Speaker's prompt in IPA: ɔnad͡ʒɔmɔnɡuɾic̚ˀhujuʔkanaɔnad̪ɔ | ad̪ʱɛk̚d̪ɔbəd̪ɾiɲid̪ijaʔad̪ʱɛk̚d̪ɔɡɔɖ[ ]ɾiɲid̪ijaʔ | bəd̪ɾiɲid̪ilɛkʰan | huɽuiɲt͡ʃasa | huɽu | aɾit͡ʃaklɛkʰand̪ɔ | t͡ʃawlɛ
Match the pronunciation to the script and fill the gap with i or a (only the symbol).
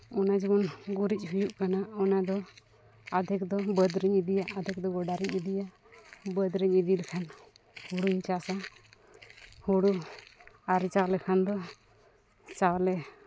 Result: a